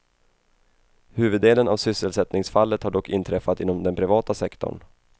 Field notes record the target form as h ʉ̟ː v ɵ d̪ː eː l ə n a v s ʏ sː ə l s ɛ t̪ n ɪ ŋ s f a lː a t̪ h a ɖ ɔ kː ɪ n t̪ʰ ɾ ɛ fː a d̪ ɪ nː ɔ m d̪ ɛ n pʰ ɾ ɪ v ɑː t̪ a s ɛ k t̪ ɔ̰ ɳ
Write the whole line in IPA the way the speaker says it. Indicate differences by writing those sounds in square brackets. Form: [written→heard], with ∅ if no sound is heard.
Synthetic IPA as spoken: h ʉ̟ː v ɵ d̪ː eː l ə n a v s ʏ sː ə l s ɛ t̪ n ɪ ŋ s f a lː [a→ə] t̪ h a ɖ ɔ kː ɪ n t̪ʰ ɾ ɛ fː a [d̪→t̪] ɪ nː ɔ m d̪ ɛ n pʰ ɾ ɪ v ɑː t̪ a s ɛ k t̪ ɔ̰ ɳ